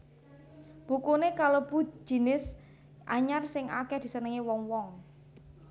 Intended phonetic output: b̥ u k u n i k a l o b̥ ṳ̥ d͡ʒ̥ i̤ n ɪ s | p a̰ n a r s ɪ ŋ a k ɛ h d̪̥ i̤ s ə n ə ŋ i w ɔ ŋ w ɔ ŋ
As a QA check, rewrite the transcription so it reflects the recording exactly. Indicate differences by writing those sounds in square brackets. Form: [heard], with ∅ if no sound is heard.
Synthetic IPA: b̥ u k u n [e] k a l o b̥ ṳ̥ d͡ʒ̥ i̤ n ɪ s | [ʔ] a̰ [ɲ] a r s ɪ ŋ a k ɛ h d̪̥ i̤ s ə n ə ŋ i w ɔ ŋ w ɔ ŋ

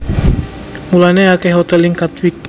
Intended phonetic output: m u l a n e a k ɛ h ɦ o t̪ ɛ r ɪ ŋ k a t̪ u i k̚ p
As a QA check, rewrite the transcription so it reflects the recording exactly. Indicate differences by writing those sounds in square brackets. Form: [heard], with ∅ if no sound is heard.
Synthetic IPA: m u l a n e a k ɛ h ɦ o t̪ ɛ [l] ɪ ŋ k a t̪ [w] i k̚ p

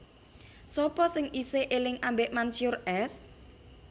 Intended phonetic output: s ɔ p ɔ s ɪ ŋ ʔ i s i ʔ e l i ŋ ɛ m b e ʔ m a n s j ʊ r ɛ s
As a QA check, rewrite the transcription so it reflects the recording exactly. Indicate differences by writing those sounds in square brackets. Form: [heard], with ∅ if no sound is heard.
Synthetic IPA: s ɔ p ɔ s ɪ ŋ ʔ i s [e] ʔ e l [ɪ] ŋ [a] m b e ʔ m a n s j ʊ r ɛ s

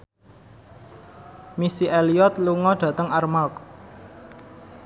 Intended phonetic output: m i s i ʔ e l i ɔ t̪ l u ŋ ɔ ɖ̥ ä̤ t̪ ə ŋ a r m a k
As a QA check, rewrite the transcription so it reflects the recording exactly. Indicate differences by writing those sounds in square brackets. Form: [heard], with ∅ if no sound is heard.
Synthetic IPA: m i s i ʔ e l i ɔ t̪ l u ŋ ɔ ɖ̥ ä̤ t̪ ə ŋ a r m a k

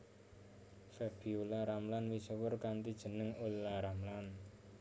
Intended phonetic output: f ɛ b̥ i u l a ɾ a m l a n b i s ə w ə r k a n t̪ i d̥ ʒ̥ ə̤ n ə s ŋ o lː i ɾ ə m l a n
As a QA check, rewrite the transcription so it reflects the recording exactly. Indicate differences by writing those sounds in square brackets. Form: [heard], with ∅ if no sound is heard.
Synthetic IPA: f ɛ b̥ i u l a ɾ a m l a n [w] i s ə w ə r k a n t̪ i d̥ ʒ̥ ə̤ n ə [∅] ŋ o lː [a] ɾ [a] m l a n

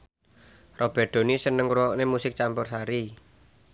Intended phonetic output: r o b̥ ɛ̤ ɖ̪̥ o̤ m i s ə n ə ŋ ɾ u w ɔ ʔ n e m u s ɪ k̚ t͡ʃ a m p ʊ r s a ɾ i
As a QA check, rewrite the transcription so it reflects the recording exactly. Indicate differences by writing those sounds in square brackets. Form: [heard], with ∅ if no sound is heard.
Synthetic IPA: r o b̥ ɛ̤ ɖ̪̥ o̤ [n] i s ə n ə ŋ ɾ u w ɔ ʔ n e m u s ɪ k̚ t͡ʃ a m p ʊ r s a ɾ i

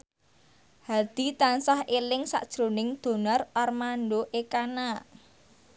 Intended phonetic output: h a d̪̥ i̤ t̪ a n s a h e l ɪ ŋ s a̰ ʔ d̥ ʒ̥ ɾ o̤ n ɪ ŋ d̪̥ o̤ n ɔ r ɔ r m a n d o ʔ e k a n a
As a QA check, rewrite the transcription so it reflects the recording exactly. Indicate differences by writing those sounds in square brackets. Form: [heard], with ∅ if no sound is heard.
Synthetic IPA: h a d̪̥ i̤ t̪ a n s a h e l ɪ ŋ s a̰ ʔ d̥ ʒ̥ ɾ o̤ n ɪ ŋ d̪̥ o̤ n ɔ r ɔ r m a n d o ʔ e k a n a

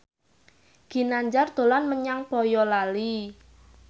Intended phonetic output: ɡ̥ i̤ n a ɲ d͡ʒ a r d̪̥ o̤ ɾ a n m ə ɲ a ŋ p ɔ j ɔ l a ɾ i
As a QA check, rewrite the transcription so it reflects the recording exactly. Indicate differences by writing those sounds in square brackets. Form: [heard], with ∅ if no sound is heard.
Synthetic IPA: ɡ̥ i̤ n a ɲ d͡ʒ a r d̪̥ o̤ [l] a n m ə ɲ a ŋ p ɔ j ɔ l a [l] i

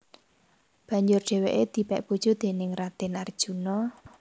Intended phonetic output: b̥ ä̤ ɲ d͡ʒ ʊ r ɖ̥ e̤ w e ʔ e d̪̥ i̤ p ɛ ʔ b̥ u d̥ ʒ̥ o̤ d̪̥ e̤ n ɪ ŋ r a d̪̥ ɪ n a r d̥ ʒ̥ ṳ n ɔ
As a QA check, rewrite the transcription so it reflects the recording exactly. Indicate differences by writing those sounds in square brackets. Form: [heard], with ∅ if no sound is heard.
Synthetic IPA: b̥ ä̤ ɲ d͡ʒ ʊ r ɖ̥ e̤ w e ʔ e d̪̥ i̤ p ɛ ʔ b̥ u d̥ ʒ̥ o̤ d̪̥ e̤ n ɪ ŋ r a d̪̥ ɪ n a r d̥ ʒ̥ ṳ n ɔ

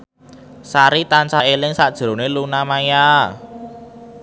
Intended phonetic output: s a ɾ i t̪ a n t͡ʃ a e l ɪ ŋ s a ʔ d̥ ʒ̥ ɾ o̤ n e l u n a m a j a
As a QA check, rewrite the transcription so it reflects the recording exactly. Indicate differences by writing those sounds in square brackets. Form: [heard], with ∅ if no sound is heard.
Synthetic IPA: s a ɾ i t̪ a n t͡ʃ a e l ɪ ŋ s a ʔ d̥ ʒ̥ ɾ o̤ n e l u n a m a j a

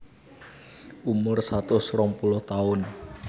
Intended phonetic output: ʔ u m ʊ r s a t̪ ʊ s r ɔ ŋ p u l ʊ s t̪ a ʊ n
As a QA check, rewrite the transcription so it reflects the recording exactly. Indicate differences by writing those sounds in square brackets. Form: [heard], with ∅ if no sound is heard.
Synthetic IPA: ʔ u m ʊ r s a t̪ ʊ s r ɔ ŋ p u l ʊ [h] t̪ a ʊ n

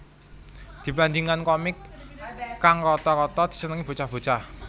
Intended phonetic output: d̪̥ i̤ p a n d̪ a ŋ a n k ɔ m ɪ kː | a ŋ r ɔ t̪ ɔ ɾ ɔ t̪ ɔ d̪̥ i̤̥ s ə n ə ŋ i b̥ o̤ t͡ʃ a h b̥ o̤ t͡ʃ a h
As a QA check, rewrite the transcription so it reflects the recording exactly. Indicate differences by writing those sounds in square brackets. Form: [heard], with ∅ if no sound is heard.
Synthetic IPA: d̪̥ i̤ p a n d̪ [i] ŋ a n k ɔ m ɪ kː | a ŋ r ɔ t̪ ɔ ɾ ɔ t̪ ɔ d̪̥ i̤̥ s ə n ə ŋ i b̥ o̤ t͡ʃ a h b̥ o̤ t͡ʃ a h

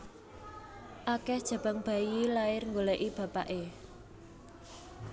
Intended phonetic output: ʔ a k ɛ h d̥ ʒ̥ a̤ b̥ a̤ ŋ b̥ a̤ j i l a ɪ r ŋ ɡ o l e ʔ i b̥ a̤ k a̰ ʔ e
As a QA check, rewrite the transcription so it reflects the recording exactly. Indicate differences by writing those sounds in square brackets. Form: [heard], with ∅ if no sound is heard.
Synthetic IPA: ʔ a k ɛ h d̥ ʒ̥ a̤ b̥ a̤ ŋ b̥ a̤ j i l a ɪ r ŋ ɡ o l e ʔ i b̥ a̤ [p] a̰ ʔ e

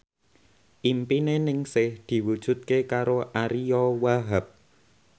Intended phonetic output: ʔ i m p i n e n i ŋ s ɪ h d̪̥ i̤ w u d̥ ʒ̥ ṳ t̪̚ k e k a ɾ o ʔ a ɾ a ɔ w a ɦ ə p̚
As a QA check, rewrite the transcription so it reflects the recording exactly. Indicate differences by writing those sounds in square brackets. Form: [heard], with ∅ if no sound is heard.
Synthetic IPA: ʔ i m p i n e n [ɪ] ŋ s ɪ h d̪̥ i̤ w u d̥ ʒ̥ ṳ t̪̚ k e k a ɾ o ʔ a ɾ [i] ɔ w a ɦ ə p̚

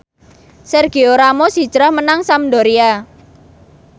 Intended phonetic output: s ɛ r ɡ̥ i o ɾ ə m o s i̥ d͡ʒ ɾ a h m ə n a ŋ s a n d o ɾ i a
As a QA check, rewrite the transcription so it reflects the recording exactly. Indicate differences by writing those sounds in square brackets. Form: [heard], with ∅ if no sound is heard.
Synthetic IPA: s ɛ r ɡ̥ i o ɾ [a] m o s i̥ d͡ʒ ɾ a h m ə n a ŋ s a [m] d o ɾ i a

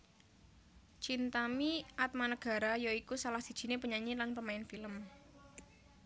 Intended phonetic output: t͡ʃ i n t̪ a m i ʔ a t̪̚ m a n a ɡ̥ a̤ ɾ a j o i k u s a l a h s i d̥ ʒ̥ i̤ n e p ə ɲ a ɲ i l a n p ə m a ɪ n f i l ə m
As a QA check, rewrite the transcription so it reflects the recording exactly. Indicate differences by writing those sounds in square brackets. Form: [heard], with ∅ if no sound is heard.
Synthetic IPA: t͡ʃ i n t̪ a m i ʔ a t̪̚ m a n [ə] ɡ̥ a̤ ɾ a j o i k u s a l a h s i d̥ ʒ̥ i̤ n e p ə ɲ a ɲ i l a n p ə m a ɪ n f i l ə m

